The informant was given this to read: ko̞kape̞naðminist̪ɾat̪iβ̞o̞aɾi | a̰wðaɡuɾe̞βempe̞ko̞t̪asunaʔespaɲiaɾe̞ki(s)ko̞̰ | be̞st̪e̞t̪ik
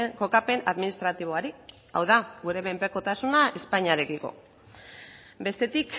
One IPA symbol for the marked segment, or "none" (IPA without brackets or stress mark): none